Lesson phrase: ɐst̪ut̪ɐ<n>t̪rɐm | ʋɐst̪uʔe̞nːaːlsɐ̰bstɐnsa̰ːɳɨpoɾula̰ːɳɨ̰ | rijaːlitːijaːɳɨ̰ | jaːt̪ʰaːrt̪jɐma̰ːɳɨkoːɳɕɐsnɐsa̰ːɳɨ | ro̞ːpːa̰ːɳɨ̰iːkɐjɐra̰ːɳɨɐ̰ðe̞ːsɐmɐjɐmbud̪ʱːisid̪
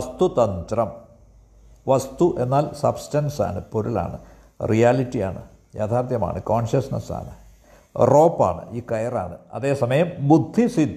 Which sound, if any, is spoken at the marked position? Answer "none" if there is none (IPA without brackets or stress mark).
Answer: n